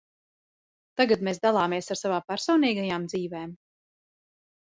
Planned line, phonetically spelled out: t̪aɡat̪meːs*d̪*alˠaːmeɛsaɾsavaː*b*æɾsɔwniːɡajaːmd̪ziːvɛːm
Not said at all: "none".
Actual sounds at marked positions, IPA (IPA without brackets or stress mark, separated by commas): d̪, p